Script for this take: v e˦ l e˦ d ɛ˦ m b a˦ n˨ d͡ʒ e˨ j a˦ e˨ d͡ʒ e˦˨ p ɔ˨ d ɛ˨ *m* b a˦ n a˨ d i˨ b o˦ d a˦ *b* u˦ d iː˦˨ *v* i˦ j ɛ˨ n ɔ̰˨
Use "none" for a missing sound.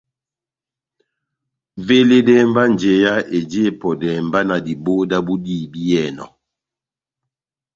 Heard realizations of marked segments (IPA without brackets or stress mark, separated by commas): m, b, b